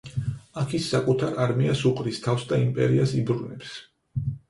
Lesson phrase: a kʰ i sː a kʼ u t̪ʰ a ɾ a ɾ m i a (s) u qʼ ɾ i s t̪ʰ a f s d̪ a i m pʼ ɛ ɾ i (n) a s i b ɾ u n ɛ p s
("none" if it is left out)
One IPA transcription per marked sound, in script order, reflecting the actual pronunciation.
s, none

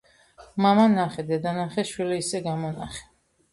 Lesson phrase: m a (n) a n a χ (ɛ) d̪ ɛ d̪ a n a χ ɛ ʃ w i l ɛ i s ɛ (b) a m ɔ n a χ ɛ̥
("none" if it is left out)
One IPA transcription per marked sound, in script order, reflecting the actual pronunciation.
m, ɛ, ɡ

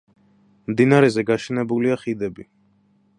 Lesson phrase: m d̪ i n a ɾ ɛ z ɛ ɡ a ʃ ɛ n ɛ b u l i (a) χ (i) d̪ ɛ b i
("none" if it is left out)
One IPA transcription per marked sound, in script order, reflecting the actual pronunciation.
a, i

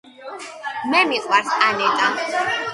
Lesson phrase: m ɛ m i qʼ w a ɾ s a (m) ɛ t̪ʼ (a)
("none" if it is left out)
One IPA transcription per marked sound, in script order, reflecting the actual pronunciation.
n, a

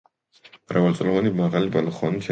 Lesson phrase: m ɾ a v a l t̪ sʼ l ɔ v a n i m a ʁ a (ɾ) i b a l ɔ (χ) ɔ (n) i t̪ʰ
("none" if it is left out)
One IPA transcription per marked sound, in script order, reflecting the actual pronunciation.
l, χ, n

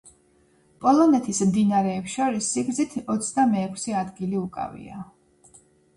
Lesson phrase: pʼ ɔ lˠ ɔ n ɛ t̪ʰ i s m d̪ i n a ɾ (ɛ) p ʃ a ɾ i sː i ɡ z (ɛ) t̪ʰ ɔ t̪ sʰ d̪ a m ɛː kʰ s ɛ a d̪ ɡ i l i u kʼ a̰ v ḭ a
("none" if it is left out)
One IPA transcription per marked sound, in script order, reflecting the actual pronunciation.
ɛː, i

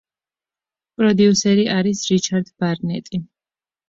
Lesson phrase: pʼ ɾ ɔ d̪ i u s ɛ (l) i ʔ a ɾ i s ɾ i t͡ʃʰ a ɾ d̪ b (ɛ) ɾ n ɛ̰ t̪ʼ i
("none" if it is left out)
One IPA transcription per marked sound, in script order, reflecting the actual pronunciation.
ɾ, a

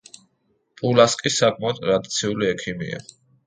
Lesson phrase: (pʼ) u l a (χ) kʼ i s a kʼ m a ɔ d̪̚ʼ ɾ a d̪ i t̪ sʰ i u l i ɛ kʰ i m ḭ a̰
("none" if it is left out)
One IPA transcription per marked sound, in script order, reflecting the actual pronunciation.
pʼ, s

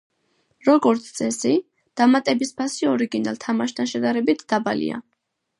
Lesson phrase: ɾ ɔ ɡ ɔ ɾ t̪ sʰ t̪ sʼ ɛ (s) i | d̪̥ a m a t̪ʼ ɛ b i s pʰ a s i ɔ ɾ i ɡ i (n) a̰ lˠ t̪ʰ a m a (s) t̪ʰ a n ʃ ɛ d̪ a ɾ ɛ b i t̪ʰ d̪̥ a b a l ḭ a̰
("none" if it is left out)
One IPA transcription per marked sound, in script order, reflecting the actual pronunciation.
s, n, ʃ

